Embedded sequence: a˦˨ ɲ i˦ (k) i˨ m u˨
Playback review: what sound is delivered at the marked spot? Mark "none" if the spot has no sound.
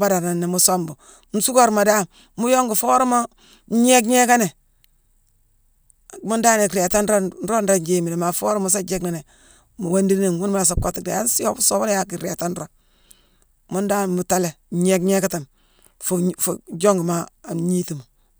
t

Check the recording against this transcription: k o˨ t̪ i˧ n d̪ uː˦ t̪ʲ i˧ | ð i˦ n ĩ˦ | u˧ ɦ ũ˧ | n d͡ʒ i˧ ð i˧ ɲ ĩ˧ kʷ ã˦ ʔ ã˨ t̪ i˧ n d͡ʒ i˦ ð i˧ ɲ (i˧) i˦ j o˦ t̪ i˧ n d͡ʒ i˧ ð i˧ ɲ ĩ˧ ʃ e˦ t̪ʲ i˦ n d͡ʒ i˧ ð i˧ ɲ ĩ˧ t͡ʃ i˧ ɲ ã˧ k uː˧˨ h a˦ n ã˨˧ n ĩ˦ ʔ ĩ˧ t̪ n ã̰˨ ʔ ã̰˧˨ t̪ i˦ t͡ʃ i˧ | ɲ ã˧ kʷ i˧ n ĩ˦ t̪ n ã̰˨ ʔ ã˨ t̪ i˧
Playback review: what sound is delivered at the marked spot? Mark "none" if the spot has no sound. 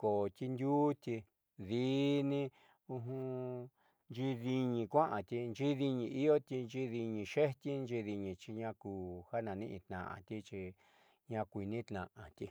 ĩ˧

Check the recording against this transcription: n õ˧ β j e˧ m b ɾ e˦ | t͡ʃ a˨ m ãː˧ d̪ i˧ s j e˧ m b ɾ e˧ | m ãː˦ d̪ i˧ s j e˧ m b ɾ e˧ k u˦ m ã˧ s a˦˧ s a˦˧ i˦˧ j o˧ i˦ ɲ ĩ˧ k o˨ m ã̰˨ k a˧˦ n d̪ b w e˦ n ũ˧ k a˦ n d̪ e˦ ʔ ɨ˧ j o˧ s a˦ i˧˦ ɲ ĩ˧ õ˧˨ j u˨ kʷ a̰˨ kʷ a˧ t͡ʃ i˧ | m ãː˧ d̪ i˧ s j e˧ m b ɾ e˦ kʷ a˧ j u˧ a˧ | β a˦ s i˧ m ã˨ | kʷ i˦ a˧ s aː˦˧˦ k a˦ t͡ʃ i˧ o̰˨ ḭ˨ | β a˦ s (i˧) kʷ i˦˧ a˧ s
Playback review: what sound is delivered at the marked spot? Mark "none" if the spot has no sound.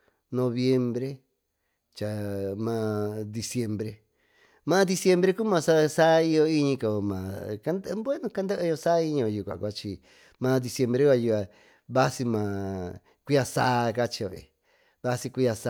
i˧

